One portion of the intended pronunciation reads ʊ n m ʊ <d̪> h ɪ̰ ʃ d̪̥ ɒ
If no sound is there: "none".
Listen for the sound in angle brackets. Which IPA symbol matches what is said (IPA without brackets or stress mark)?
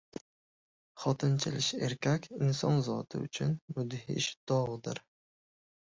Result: d̪